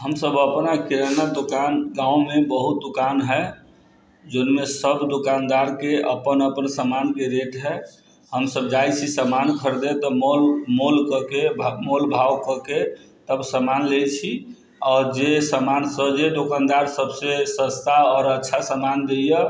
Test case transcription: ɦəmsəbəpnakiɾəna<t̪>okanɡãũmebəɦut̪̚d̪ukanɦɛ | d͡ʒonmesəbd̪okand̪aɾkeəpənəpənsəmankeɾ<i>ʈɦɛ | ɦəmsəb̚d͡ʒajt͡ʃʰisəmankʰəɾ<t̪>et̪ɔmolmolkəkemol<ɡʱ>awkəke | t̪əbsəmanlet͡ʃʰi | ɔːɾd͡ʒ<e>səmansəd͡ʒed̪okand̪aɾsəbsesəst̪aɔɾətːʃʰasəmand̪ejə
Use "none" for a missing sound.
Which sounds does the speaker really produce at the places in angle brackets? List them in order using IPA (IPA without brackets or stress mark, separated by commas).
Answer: d̪, e, d̪, bʱ, e